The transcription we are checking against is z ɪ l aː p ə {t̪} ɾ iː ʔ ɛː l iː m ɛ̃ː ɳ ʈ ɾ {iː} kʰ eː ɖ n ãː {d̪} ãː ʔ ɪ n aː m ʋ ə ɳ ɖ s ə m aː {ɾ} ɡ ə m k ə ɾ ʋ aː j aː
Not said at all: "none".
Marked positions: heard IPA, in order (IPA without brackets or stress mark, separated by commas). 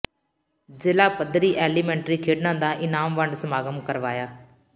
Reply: d̪, iː, d̪, none